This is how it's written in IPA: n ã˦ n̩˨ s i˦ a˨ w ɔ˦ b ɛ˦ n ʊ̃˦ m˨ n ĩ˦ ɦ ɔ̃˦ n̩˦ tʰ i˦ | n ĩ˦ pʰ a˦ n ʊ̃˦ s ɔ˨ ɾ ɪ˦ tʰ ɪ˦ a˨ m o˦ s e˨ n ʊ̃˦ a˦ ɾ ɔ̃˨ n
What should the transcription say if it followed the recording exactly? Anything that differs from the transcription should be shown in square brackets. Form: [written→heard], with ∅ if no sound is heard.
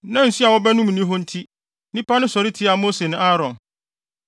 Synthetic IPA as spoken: n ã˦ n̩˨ s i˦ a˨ w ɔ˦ b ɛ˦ n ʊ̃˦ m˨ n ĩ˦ ɦ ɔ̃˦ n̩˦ tʰ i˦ | n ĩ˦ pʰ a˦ n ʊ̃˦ s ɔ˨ ɾ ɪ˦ tʰ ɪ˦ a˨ m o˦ s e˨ n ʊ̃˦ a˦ ɾ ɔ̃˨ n